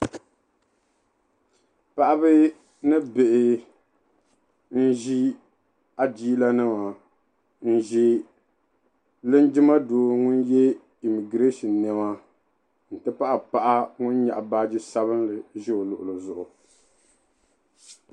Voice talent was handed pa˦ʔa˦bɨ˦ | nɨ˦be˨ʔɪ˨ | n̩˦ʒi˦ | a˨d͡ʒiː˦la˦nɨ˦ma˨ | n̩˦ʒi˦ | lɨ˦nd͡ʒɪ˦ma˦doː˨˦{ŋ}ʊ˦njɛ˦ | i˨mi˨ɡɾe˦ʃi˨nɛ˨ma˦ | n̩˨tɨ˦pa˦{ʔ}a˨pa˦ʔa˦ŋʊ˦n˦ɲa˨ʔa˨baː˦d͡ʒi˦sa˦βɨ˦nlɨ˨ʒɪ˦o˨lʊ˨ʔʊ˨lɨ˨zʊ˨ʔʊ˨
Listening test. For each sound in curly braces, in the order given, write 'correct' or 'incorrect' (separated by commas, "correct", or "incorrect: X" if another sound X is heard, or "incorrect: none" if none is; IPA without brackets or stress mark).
correct, correct